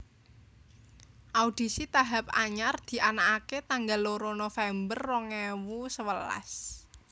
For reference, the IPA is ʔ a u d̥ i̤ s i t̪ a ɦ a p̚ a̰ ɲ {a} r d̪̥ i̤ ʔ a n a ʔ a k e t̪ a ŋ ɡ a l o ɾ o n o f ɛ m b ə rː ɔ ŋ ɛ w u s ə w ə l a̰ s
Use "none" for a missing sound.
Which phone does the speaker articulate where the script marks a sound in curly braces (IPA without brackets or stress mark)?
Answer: a